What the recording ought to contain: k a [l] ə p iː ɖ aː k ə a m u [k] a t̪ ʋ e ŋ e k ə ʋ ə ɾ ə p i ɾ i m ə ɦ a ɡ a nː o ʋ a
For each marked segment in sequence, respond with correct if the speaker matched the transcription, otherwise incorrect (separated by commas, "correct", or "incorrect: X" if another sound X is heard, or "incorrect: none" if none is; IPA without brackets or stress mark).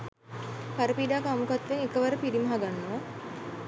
incorrect: ɾ, correct